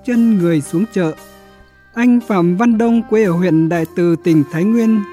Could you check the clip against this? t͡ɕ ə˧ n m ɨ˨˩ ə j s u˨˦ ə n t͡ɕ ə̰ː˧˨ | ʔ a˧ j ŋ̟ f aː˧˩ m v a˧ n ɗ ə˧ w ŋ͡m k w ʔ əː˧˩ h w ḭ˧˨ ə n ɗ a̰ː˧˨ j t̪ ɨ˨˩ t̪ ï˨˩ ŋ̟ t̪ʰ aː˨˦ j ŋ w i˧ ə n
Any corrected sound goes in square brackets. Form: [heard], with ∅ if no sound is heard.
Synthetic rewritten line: t͡ɕ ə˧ n [ŋ] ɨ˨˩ ə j s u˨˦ ə [ŋ] t͡ɕ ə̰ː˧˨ | ʔ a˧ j ŋ̟ f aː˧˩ m v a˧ n ɗ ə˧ w ŋ͡m k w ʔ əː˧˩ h w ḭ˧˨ ə n ɗ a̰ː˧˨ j t̪ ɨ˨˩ t̪ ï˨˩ ŋ̟ t̪ʰ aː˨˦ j ŋ w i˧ ə n